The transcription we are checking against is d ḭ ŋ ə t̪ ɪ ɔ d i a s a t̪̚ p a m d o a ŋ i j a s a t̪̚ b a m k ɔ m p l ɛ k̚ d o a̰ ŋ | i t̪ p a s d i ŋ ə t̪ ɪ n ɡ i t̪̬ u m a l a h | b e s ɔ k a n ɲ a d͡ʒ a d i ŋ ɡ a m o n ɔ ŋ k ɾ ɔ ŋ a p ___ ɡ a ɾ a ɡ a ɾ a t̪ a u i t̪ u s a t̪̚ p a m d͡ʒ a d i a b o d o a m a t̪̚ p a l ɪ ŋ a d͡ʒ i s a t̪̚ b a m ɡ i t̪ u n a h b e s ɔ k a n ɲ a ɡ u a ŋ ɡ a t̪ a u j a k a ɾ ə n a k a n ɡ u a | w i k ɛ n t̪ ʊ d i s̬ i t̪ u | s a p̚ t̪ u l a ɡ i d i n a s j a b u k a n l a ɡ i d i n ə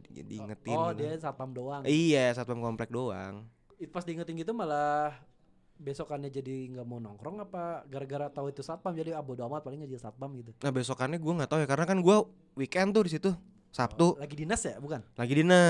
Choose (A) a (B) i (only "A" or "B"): A